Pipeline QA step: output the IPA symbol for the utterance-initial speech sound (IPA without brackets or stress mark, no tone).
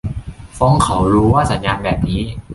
f